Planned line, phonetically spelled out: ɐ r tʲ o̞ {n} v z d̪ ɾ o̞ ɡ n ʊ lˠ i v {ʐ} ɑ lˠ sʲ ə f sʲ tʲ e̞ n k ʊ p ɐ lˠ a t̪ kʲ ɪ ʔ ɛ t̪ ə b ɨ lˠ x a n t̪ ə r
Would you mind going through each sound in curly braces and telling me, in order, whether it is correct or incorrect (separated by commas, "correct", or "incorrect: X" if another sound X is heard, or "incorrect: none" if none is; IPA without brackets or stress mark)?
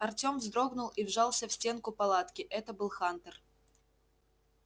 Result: incorrect: m, correct